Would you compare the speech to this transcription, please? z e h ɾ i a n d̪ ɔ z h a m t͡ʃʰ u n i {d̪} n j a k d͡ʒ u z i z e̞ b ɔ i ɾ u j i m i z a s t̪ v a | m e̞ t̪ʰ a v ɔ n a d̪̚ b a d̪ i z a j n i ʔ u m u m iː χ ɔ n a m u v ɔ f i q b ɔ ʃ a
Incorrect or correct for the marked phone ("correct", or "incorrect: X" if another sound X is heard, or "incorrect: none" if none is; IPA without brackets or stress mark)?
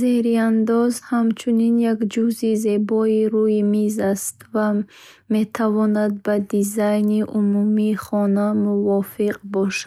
incorrect: none